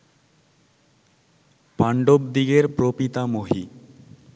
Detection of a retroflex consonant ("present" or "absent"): present